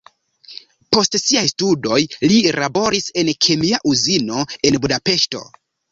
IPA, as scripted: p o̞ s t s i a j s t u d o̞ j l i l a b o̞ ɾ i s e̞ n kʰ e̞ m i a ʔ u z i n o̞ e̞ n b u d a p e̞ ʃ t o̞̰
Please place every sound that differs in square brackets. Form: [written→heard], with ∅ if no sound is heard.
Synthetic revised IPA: p o̞ s t s i a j s t u d o̞ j l i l a b o̞ ɾ i s e̞ n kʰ e̞ m i a ʔ u z i n o̞ e̞ n b u d a p e̞ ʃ t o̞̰